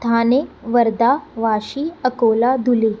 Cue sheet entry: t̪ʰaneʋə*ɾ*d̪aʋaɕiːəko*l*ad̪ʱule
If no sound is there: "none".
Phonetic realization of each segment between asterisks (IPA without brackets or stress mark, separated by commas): ɾ, l